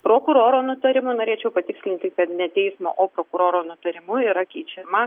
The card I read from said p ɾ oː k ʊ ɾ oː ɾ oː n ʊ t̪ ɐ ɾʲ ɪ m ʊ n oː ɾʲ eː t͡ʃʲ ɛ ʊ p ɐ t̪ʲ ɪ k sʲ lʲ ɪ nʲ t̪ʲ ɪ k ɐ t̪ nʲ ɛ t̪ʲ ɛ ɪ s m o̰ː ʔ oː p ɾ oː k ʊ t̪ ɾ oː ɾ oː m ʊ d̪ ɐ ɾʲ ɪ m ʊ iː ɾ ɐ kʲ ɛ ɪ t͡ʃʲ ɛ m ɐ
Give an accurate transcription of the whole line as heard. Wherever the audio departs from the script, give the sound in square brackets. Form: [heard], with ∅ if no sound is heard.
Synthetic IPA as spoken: p ɾ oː k ʊ ɾ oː ɾ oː n ʊ t̪ ɐ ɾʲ ɪ m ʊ n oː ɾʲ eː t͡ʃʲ ɛ ʊ p ɐ t̪ʲ ɪ k sʲ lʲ ɪ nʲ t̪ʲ ɪ k ɐ t̪ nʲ ɛ t̪ʲ ɛ ɪ s m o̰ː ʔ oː p ɾ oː k ʊ [∅] ɾ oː ɾ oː [n] ʊ [t̪] ɐ ɾʲ ɪ m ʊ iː ɾ ɐ kʲ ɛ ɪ t͡ʃʲ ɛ m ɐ